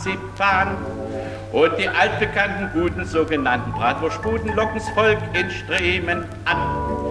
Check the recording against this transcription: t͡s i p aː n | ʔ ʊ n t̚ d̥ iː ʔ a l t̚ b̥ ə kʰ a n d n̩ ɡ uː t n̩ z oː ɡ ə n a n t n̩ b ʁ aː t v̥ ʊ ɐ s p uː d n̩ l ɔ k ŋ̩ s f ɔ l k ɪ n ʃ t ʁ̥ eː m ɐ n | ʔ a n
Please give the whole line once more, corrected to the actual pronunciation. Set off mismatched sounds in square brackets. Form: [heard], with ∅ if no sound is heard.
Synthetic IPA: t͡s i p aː n | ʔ ʊ n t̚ d̥ iː ʔ a l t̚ b̥ ə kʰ a n [t] n̩ ɡ uː t n̩ z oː ɡ ə n a n t n̩ b ʁ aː t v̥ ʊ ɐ [ʃ] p uː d n̩ l ɔ k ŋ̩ s f ɔ l k ɪ n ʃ t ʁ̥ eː m [ə] n | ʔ a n